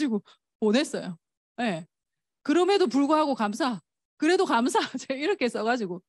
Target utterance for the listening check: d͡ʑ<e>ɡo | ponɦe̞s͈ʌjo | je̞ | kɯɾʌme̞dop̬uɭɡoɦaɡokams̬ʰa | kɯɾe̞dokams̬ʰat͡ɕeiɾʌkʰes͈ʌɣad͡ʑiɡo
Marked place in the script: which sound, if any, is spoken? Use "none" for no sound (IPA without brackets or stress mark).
i